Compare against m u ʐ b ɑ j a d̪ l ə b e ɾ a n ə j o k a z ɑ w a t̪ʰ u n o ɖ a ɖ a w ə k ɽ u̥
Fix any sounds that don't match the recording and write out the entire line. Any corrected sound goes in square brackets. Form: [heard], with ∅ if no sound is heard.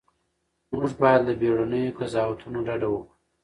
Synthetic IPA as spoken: m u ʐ b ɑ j a d̪ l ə b e [ɽ] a n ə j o k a z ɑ w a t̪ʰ u n o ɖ a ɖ a w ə k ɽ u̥